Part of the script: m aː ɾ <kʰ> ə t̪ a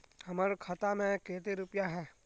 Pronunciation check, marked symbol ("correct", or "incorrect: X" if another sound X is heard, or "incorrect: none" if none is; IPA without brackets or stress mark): correct